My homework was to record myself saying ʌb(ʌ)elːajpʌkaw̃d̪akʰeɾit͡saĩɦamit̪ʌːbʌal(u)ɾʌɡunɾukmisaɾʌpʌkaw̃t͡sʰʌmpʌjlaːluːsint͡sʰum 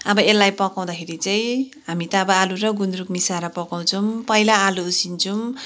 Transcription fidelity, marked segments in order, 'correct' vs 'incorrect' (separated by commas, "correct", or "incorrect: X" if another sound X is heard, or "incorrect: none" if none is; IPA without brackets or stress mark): correct, correct